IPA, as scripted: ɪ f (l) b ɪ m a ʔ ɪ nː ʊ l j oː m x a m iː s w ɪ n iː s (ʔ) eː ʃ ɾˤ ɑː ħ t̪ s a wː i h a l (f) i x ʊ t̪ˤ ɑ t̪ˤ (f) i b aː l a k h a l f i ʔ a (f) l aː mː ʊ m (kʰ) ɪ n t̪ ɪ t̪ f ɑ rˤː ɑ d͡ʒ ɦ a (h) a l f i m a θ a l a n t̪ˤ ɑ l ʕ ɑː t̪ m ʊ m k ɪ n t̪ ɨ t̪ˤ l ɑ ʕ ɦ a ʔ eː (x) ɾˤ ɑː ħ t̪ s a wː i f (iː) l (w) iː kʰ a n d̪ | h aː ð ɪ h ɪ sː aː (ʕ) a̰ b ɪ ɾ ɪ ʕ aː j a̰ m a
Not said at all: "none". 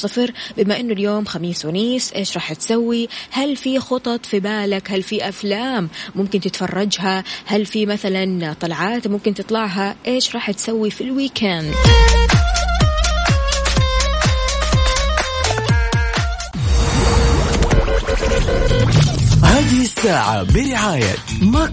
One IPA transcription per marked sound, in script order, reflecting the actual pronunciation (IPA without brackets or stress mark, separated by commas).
ɾ, ʔ, f, f, f, k, h, ʃ, i, w, ʕ